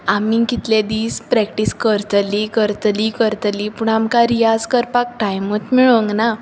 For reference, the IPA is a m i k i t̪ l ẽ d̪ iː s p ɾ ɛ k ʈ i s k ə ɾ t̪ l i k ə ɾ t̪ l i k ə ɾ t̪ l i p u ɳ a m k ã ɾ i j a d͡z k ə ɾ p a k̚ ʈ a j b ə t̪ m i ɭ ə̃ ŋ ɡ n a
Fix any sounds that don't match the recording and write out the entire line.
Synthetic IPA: a m i k i t̪ l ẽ d̪ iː s p ɾ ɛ k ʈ i s k ə ɾ t̪ l i k ə ɾ t̪ l i k ə ɾ t̪ l i p u ɳ a m k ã ɾ i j a d͡z k ə ɾ p a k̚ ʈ a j m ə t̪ m i ɭ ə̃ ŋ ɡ n a